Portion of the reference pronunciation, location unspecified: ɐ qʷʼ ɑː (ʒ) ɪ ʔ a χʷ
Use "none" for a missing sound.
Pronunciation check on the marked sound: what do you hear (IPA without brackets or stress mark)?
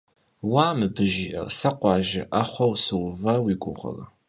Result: ʒ